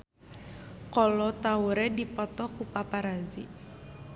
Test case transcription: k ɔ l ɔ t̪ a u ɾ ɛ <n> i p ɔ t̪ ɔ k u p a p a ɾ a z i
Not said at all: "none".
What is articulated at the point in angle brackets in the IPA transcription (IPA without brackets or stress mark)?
d